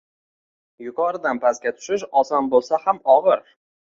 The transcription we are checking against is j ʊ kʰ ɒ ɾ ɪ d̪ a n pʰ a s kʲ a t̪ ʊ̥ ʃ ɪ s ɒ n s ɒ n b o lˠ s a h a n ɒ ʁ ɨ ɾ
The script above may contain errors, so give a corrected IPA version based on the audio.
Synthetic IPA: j ʊ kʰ ɒ ɾ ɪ d̪ a n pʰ a s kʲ a t̪ʰ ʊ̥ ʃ ɪ ʃ ɒ s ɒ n b o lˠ s a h a m ɒ ʁ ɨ ɾ

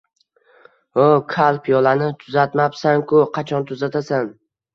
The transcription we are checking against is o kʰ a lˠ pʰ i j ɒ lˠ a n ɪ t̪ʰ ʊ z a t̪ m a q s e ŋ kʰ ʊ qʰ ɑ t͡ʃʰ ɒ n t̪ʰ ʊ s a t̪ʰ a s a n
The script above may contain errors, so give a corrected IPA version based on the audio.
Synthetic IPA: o kʰ a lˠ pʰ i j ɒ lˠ a n ɪ t̪ʰ ʊ z a t̪ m a p s a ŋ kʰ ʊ qʰ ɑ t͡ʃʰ ɒ n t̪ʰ ʊ z a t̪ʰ a s a n

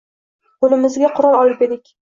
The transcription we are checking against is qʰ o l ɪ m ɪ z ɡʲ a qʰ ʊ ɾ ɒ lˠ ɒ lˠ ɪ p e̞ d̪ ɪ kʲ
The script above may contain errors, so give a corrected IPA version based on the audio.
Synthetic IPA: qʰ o l ɪ m ɪ z ɡʲ a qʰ ʊ ɾ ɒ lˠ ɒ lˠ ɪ p e̞ d̪ ɪ kʲ

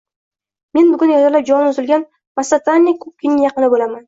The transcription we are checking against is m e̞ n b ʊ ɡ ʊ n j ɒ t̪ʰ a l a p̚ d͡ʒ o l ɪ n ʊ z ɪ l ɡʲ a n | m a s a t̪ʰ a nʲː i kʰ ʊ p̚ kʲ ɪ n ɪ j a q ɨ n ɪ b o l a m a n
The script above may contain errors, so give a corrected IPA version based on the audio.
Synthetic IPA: m e̞ n b ʊ ɡ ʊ n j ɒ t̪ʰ a l a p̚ d͡ʒ ɒ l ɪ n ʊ z ɪ l ɡʲ a n | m a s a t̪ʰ a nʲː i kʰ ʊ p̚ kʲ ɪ n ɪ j ɑ q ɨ n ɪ b o l a m a n

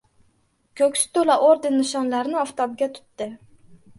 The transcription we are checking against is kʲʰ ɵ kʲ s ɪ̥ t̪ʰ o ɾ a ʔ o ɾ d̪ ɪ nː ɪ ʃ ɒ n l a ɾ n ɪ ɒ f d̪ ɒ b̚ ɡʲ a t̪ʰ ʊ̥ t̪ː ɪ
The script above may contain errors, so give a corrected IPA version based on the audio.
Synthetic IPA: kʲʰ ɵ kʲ s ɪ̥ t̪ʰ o l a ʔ o ɾ d̪ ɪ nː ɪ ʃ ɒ n l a ɾ n ɪ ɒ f t̪ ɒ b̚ ɡʲ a t̪ʰ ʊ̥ t̪ː ɪ

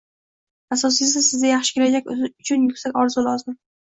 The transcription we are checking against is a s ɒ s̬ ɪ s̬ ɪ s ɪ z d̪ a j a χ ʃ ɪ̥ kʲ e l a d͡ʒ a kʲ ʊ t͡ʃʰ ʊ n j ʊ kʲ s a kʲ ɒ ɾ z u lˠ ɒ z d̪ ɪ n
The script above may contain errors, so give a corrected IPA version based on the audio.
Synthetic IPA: a s ɒ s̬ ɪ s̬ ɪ s ɪ z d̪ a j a χ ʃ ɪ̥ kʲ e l a d͡ʒ a kʲ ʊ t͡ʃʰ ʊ n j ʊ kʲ s a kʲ ɒ ɾ z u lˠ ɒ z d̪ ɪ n

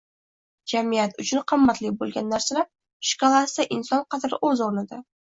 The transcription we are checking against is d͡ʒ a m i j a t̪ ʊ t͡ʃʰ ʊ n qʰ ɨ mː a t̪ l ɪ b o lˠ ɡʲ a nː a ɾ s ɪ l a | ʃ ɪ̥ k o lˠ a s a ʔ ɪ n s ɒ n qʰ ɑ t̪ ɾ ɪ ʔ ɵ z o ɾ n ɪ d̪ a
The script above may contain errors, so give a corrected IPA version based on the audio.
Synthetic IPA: d͡ʒ a m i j a t̪ ʊ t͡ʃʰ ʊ n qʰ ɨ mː a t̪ l ɪ b o lˠ ɡʲ a nː a ɾ s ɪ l a | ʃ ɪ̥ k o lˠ a s a ʔ ɪ n s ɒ n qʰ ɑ t̪ ɾ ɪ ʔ ɵ z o ɾ n ɪ d̪ a

